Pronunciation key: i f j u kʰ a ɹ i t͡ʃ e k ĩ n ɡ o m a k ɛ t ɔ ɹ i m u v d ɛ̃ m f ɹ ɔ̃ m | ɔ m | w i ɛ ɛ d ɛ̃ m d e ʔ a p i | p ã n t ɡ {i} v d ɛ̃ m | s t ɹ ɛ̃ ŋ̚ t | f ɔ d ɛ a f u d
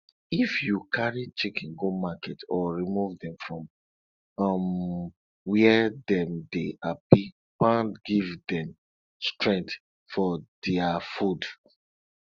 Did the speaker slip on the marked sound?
no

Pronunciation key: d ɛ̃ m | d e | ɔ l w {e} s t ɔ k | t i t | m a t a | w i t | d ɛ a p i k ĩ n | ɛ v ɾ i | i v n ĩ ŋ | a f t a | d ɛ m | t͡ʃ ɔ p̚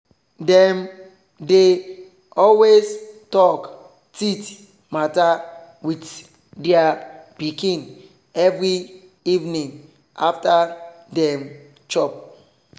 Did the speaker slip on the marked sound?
no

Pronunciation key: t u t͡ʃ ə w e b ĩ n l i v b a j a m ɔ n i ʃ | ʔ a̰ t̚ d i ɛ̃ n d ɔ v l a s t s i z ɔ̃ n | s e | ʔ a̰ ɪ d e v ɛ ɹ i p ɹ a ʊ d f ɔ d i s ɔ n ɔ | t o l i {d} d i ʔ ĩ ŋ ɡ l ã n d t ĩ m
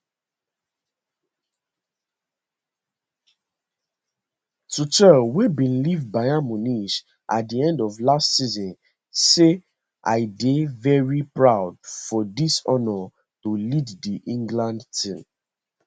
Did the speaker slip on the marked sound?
no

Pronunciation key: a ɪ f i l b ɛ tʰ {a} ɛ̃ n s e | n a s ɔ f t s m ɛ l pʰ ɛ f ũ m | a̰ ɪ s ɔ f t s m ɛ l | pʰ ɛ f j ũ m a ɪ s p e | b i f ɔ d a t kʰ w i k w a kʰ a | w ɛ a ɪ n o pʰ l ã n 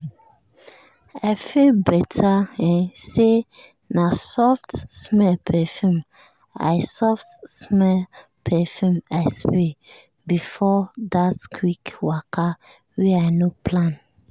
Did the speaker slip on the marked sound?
no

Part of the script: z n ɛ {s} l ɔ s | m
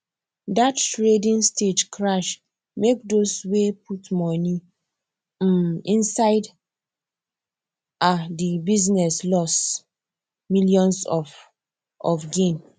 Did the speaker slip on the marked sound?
no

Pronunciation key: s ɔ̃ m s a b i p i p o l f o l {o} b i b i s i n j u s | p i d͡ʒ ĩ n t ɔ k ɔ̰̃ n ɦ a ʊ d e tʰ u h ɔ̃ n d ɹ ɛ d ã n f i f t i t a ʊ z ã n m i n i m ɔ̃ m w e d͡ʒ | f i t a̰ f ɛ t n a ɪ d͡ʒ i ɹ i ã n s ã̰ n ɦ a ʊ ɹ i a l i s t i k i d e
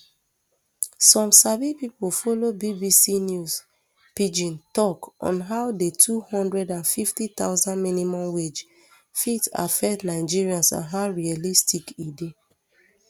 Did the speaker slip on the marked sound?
no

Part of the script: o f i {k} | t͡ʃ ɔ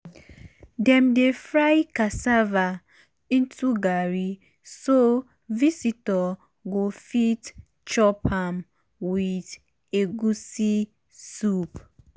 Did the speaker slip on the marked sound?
yes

